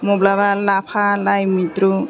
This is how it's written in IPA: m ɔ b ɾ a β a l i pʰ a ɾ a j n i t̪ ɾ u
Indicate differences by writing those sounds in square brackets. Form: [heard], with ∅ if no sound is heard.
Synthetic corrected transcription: m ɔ b [l] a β a l [a] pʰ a [l] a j [m] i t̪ ɾ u